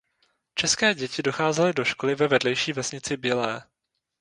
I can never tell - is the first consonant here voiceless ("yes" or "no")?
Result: yes